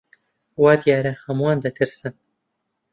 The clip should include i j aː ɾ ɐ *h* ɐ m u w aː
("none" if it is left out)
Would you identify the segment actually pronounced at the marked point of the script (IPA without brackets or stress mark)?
h